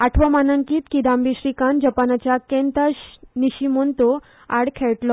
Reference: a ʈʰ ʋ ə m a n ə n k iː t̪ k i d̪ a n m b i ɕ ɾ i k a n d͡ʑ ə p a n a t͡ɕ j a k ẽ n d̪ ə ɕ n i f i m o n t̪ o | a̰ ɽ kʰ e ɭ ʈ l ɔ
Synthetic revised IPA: a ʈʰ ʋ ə m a n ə ŋ k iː t̪ k i d̪ a m b i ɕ ɾ i k a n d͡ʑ ə p a n a t͡ɕ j a k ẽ n t̪ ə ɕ n i ɕ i m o n t̪ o | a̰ ɽ kʰ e ɭ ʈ l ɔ